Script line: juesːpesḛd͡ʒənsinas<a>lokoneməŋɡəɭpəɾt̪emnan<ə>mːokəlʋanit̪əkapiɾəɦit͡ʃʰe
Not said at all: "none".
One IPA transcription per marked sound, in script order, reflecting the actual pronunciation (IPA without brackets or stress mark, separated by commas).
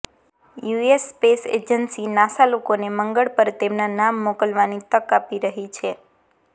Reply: a, a